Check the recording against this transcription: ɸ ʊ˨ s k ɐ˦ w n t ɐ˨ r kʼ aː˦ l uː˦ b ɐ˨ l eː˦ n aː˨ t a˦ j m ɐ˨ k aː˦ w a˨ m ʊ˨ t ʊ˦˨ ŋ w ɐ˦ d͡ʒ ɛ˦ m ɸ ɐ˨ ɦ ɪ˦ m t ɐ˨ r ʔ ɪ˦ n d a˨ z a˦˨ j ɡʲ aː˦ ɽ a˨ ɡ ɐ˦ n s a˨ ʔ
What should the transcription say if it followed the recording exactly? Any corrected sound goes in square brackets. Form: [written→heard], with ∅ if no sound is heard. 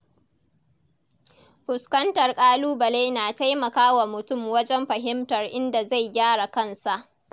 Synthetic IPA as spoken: ɸ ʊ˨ s k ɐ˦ [w→∅] n t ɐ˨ r kʼ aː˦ l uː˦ b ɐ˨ l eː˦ n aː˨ t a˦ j m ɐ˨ k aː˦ w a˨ m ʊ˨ t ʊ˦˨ [ŋ→m] w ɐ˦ d͡ʒ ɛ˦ m ɸ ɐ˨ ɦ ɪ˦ m t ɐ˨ r ʔ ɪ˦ n d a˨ z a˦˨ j ɡʲ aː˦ ɽ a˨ [ɡ→k] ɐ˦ n s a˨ ʔ